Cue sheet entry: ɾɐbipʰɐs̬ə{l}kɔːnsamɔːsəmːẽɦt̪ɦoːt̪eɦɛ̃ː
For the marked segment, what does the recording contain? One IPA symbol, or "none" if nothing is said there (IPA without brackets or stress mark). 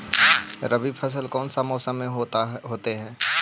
l